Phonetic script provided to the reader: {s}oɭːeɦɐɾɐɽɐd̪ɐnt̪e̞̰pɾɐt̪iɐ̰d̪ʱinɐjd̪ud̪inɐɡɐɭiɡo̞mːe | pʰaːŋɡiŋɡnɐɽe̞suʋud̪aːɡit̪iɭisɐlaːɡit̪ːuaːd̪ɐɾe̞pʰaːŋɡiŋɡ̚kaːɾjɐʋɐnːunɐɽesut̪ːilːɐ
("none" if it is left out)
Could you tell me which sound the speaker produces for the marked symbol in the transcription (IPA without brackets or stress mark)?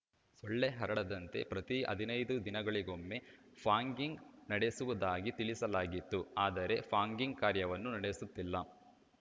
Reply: s